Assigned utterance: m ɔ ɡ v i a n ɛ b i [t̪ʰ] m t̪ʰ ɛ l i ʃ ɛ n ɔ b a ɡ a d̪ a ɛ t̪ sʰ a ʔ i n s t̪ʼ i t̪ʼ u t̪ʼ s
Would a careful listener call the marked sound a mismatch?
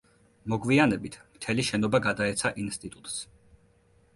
no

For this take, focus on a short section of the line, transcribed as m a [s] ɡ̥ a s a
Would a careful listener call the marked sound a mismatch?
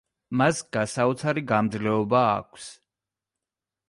no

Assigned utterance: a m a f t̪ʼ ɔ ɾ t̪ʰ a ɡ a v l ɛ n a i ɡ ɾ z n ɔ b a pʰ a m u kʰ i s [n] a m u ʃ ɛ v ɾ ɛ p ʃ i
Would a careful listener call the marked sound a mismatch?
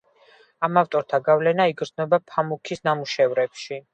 no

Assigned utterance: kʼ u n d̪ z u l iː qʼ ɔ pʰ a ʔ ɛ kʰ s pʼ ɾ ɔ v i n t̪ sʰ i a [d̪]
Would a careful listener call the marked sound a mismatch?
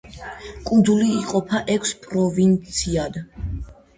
no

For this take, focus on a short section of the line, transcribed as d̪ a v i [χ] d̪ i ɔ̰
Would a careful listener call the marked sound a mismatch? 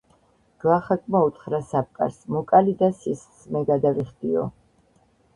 no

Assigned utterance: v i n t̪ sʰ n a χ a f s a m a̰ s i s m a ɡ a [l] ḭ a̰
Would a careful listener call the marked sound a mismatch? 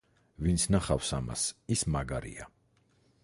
yes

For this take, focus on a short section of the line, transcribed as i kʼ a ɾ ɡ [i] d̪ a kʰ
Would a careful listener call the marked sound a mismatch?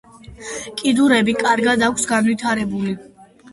yes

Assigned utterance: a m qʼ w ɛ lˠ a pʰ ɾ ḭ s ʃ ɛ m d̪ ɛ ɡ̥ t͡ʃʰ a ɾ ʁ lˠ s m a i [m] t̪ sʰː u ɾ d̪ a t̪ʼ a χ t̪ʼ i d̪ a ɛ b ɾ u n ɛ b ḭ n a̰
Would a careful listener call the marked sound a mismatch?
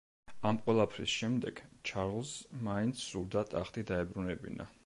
yes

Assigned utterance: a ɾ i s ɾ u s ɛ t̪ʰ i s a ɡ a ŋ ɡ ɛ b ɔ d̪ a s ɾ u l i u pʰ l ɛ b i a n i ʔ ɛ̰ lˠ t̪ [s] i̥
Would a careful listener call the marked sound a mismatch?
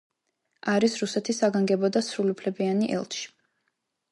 yes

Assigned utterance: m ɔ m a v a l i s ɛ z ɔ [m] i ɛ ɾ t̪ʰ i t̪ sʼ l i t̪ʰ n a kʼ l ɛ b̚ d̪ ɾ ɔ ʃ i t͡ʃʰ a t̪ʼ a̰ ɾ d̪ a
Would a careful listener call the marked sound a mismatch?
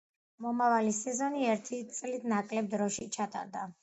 yes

